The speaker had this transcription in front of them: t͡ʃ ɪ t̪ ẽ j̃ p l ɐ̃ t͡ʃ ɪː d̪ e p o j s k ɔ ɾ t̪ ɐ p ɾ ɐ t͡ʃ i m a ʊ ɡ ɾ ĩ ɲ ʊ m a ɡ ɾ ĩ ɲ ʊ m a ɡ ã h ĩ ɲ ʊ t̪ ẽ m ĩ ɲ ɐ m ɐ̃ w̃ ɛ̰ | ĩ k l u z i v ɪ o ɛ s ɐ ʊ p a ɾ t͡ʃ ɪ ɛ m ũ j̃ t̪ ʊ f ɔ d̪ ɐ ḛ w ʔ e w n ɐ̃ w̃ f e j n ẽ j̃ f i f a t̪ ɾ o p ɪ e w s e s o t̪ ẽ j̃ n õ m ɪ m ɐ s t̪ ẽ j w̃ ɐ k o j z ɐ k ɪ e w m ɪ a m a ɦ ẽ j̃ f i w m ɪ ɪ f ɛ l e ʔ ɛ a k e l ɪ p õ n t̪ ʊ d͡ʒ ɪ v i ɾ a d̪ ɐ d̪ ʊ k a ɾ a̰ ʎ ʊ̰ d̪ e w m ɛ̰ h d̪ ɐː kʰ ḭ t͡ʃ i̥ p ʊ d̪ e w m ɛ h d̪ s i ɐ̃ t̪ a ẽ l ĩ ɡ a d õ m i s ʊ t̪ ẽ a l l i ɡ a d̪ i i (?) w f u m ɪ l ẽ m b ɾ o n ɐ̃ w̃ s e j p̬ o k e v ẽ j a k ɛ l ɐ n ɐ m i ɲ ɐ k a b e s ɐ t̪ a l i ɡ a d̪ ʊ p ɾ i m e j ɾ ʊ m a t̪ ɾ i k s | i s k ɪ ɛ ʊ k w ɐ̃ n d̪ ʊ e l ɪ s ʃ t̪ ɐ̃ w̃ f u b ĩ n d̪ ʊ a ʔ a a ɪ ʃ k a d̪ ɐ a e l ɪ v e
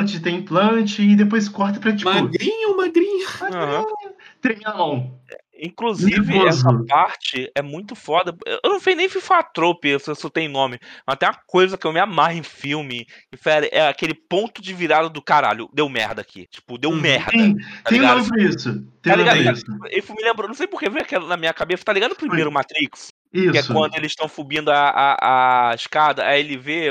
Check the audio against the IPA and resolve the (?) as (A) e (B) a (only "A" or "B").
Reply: A